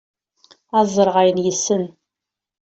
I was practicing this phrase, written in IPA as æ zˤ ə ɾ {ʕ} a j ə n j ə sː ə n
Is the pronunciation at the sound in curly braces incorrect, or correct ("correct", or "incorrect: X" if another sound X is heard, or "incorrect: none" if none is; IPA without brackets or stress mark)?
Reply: incorrect: ʁ